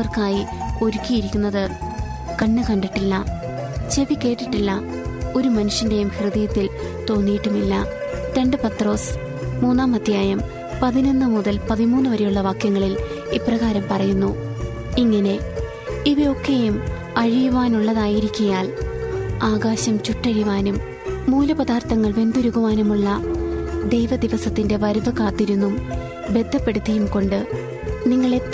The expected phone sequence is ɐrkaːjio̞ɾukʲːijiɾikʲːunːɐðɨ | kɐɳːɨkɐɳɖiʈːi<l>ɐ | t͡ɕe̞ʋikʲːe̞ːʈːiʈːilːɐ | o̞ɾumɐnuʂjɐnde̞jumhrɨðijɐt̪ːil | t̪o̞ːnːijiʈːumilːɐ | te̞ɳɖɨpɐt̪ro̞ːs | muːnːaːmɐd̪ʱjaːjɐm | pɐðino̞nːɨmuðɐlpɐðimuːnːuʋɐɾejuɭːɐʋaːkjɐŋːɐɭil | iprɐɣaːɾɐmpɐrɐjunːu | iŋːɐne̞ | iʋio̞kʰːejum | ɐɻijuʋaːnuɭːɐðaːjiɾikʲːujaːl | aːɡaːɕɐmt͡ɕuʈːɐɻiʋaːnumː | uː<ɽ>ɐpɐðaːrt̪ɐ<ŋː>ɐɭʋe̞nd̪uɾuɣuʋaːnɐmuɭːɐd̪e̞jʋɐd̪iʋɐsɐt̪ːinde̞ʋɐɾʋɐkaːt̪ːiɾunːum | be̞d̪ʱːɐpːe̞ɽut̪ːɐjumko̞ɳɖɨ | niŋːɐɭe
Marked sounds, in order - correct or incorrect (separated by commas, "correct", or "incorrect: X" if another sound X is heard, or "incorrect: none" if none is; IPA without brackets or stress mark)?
incorrect: lː, incorrect: l, correct